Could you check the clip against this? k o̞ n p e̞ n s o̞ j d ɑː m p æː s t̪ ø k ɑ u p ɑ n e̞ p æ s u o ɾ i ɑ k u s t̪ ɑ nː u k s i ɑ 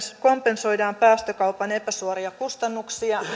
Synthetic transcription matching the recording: k o̞ m p e̞ n s o̞ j d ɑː m p æː s t̪ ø k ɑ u p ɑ n e̞ p æ s u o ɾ i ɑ k u s t̪ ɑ nː u k s i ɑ